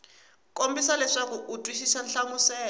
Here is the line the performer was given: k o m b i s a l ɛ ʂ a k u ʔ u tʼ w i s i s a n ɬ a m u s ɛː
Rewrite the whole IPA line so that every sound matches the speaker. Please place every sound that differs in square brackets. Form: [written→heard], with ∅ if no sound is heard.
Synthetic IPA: k o m b i s a l ɛ ʂ a k u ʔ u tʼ w i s i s a n ɬ a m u s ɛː